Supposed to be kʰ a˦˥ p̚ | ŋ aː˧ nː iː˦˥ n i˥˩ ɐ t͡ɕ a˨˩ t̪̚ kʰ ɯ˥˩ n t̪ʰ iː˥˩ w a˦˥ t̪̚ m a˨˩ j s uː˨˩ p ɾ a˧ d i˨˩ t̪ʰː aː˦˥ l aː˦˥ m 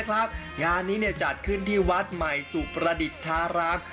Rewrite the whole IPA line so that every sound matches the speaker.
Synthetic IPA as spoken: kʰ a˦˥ p̚ | ŋ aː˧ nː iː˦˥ n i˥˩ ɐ t͡ɕ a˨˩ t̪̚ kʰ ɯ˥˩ n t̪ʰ iː˥˩ w a˦˥ t̪̚ m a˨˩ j s uː˨˩ p ɾ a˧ d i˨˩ t̪ʰː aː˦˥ ɾ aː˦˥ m